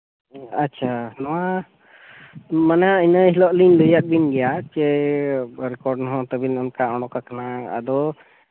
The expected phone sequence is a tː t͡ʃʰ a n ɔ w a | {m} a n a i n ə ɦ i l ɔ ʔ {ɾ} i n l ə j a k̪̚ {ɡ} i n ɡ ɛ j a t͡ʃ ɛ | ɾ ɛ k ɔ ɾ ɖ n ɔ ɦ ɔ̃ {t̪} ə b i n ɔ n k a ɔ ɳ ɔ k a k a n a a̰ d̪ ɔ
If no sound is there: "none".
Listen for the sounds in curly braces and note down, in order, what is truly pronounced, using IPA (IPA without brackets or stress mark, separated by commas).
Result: m, l, b, t̪